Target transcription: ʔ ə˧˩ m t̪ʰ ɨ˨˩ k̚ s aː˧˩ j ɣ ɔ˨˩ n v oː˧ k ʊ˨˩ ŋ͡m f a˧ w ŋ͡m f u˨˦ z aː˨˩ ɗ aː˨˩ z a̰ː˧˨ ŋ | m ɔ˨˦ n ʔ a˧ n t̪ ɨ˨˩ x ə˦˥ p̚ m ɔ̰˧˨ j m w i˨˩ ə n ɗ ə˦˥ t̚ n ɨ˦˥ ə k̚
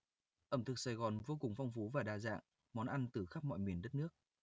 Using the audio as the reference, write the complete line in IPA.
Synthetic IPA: ʔ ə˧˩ m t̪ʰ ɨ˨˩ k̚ s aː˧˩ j ɣ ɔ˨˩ n v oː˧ k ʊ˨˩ ŋ͡m f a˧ w ŋ͡m f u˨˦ v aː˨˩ ɗ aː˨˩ z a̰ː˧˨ ŋ | m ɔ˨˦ n ʔ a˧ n t̪ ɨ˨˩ x a˦˥ p̚ m ɔ̰˧˨ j m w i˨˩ ə n ɗ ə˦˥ t̚ n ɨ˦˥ ə k̚